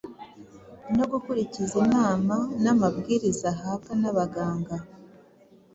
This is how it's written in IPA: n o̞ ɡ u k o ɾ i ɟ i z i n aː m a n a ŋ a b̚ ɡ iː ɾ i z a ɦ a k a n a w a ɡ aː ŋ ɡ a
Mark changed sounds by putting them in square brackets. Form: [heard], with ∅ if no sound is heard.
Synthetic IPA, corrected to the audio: n o̞ ɡ u k [u] ɾ i [c] i z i n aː m a n a [m] a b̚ ɡ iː ɾ i z a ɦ a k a n a [β] a ɡ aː ŋ ɡ a